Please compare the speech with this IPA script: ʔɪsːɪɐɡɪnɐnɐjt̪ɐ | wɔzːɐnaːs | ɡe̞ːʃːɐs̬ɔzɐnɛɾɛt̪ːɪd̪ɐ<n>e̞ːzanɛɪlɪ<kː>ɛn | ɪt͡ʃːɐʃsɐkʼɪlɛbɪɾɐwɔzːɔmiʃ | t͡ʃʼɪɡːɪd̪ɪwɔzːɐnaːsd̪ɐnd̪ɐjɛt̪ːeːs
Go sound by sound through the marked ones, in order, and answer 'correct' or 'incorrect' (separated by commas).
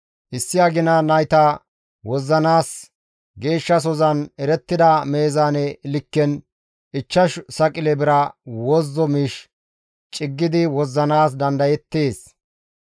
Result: incorrect, correct